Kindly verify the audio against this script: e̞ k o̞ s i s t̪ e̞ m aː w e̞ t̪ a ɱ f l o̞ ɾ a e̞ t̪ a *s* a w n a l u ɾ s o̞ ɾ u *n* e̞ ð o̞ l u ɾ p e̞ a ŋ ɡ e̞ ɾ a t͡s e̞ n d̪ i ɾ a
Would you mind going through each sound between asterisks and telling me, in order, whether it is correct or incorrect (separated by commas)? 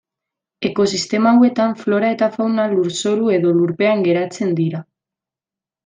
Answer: incorrect, incorrect